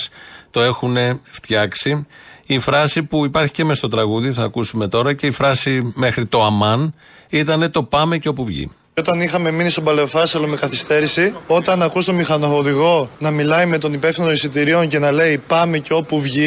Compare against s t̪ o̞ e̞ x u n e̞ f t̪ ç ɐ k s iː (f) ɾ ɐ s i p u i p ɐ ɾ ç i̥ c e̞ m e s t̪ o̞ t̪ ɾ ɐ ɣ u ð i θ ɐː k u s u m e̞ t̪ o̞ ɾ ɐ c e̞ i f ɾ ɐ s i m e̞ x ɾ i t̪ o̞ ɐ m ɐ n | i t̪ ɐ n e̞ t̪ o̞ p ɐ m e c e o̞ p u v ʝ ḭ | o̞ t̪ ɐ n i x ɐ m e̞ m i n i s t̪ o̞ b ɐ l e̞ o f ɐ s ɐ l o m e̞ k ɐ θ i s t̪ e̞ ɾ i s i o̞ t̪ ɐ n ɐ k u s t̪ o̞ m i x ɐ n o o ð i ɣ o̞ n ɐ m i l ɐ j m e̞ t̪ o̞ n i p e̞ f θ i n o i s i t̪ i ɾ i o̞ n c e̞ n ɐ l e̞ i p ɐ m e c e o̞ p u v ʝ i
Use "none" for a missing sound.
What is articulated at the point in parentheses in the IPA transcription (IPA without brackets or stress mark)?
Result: f